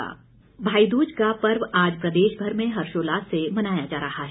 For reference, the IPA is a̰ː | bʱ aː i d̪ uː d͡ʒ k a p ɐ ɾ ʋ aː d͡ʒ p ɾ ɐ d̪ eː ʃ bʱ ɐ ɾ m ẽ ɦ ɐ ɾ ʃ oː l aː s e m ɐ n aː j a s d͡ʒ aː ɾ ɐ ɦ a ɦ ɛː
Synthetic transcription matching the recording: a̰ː | bʱ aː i d̪ uː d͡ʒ k a p ɐ ɾ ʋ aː d͡ʒ p ɾ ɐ d̪ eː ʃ bʱ ɐ ɾ m ẽ ɦ ɐ ɾ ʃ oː l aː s e m ɐ n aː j a d͡ʒ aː ɾ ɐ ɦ a ɦ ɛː